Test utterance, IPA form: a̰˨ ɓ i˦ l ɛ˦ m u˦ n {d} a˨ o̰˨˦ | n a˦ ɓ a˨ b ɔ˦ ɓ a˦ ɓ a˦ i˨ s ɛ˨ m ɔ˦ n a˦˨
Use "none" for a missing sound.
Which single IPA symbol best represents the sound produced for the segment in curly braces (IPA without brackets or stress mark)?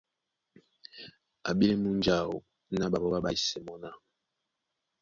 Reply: d͡ʒ